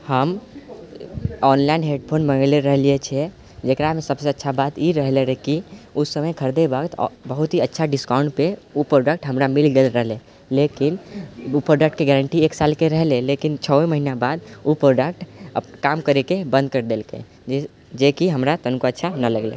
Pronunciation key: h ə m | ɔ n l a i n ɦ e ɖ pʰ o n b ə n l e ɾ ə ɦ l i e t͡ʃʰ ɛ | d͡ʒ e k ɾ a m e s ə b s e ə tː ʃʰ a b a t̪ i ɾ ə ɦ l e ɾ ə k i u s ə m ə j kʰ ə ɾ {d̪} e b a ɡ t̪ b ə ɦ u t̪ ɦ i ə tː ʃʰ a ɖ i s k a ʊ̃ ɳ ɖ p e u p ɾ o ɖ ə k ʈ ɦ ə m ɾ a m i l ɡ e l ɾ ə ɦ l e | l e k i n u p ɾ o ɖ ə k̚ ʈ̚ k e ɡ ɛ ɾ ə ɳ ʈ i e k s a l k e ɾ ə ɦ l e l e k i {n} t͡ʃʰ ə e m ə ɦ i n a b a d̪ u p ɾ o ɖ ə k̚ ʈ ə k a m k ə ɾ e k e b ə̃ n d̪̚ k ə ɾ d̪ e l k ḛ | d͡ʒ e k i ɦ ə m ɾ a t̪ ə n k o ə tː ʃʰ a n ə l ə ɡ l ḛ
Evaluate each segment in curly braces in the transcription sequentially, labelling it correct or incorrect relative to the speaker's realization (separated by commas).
correct, correct